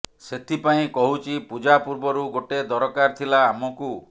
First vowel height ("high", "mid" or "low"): mid